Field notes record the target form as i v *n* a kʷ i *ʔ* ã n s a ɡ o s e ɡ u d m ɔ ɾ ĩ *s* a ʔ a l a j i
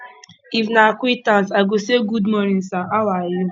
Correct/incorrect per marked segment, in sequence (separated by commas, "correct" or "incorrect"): correct, incorrect, correct